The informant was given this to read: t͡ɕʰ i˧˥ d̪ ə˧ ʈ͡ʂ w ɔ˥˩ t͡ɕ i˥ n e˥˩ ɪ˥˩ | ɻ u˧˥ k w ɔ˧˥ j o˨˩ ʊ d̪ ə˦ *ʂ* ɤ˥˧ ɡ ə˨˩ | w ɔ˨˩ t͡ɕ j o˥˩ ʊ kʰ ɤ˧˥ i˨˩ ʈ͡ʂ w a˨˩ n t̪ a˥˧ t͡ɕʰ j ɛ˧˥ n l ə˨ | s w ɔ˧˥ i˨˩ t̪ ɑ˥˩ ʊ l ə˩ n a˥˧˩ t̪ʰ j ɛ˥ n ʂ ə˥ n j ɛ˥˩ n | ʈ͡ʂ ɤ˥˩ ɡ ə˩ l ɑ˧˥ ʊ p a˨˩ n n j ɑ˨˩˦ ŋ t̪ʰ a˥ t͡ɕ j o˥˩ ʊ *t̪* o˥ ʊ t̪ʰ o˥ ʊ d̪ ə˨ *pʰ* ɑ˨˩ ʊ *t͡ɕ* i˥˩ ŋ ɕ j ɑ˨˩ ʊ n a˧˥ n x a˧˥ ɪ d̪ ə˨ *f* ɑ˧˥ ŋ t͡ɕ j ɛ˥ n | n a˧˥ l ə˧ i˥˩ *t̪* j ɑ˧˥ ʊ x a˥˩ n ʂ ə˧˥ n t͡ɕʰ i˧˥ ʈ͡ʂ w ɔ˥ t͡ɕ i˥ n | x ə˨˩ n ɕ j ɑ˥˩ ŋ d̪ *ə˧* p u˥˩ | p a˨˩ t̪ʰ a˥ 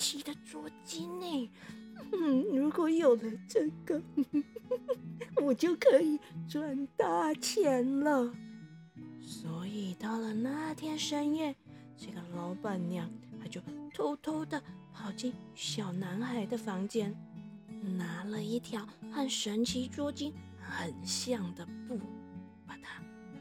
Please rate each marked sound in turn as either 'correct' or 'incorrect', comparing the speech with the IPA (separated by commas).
incorrect, incorrect, correct, correct, correct, incorrect, incorrect